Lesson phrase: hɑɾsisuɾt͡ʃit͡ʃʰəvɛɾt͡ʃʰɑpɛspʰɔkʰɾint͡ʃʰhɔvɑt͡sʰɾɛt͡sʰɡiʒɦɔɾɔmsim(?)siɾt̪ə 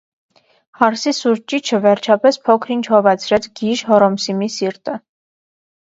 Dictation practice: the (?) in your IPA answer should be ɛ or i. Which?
i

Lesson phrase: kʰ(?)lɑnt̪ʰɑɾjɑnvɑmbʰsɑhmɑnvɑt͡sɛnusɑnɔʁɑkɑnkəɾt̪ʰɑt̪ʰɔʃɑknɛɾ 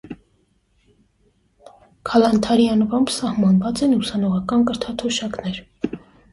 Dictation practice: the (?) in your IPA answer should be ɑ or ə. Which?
ɑ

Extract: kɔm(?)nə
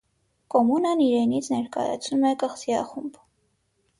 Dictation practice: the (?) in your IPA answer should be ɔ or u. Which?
u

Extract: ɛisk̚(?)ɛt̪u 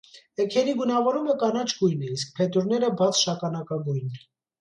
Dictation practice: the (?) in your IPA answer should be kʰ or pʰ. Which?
pʰ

